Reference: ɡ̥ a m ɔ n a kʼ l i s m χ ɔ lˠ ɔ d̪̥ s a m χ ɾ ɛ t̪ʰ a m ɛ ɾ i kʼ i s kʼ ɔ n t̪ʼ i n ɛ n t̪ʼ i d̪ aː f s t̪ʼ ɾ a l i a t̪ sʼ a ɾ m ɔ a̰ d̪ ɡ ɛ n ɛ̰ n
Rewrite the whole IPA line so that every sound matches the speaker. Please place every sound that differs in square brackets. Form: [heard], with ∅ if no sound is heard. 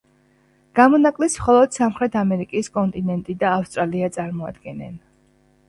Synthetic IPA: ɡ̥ a m ɔ n a kʼ l i s m χ ɔ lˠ ɔ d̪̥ s a m χ ɾ ɛ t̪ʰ a m ɛ ɾ i kʼ i s kʼ ɔ n t̪ʼ i n ɛ n t̪ʼ i d̪ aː f s t̪ʼ ɾ a l i a t̪ sʼ a ɾ m ɔ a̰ d̪ ɡ ɛ n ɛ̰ n

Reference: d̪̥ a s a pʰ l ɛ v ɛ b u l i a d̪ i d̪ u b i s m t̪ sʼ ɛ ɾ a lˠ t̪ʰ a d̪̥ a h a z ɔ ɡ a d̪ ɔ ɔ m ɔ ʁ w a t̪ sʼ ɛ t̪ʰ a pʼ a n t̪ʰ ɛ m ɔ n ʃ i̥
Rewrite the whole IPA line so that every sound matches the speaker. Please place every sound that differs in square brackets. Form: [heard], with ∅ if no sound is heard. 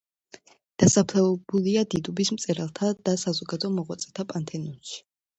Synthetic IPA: d̪̥ a s a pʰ l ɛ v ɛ b u l i a d̪ i d̪ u b i s m t̪ sʼ ɛ ɾ a lˠ t̪ʰ a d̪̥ a [s] a z ɔ ɡ a d̪ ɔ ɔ m ɔ ʁ w a t̪ sʼ ɛ t̪ʰ a pʼ a n t̪ʰ ɛ [n] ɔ n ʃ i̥

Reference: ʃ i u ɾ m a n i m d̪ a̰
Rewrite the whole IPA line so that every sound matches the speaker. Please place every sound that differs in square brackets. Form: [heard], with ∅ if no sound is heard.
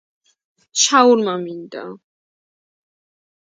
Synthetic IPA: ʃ [a] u ɾ m a [m] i [n] d̪ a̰

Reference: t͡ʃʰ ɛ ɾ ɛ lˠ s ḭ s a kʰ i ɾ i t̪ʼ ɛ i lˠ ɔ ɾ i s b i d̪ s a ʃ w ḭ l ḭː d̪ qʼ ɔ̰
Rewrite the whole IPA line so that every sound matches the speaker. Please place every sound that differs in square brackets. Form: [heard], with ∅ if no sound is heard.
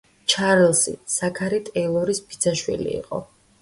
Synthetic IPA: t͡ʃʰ [a] ɾ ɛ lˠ s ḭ s a kʰ [a] ɾ i t̪ʼ ɛ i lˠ ɔ ɾ i s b i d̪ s a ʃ w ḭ l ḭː [∅] qʼ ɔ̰

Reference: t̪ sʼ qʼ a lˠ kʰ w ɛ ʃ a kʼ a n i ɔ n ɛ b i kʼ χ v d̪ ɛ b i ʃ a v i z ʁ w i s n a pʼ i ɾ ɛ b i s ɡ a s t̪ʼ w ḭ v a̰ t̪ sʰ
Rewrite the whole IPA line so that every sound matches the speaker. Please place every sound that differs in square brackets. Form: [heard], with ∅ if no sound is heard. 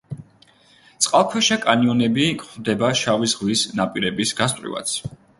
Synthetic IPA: t̪ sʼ qʼ a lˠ kʰ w ɛ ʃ a kʼ a n i ɔ n ɛ b i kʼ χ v d̪ ɛ b [a] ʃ a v i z ʁ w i s n a pʼ i ɾ ɛ b i s ɡ a s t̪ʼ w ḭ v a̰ t̪ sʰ

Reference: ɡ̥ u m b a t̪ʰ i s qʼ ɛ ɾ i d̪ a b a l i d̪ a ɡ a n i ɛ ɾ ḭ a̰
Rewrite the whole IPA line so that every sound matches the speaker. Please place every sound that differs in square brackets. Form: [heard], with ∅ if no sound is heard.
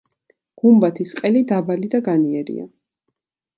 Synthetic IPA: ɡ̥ u m b a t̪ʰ i s qʼ ɛ [l] i d̪ a b a l i d̪ a ɡ a n i ɛ ɾ ḭ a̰

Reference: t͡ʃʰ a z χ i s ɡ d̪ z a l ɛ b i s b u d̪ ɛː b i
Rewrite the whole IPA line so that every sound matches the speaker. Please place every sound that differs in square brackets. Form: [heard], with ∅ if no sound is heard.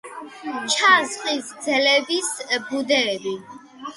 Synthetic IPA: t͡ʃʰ a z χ i s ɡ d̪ z [ɛ] l ɛ b i s b u d̪ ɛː b i

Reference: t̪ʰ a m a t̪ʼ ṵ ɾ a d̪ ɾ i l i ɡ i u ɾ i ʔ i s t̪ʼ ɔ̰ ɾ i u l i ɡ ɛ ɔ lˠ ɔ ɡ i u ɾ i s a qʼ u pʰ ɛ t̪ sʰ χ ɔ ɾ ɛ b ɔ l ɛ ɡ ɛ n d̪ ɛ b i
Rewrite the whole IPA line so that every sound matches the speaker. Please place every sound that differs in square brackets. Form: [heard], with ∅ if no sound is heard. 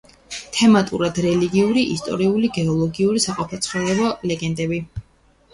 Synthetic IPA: t̪ʰ [ɛ] m a t̪ʼ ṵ ɾ a d̪ ɾ [ɛ] l i ɡ i u ɾ i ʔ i s t̪ʼ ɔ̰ ɾ i u l i ɡ ɛ ɔ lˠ ɔ ɡ i u ɾ i s a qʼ [ɔ] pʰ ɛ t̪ sʰ χ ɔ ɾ ɛ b ɔ l ɛ ɡ ɛ n d̪ ɛ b i

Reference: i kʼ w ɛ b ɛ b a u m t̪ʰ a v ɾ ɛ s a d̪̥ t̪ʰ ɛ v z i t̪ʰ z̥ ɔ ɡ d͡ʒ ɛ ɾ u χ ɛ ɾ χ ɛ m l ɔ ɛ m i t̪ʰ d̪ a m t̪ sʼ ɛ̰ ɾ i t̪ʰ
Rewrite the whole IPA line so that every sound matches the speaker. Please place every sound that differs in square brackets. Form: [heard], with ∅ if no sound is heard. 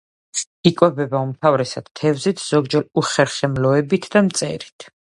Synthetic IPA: i kʼ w ɛ b ɛ b a u m t̪ʰ a v ɾ ɛ s a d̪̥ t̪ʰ ɛ v z i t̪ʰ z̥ ɔ ɡ d͡ʒ ɛ ɾ u χ ɛ ɾ χ ɛ m l ɔ ɛ [b] i t̪ʰ d̪ a m t̪ sʼ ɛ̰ ɾ i t̪ʰ

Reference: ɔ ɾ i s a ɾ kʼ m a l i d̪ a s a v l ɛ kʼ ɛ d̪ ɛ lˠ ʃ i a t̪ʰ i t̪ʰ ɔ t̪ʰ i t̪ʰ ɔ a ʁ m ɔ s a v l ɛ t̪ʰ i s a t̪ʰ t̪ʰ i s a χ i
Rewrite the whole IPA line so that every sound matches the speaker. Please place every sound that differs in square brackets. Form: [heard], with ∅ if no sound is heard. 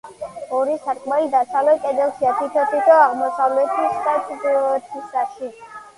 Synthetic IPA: ɔ ɾ i s a ɾ kʼ m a l i d̪ a s a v l ɛ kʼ ɛ d̪ ɛ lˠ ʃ i a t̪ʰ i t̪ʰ ɔ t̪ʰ i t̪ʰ ɔ a ʁ m ɔ s a v l ɛ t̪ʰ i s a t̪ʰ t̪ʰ i s a [ʃ] i

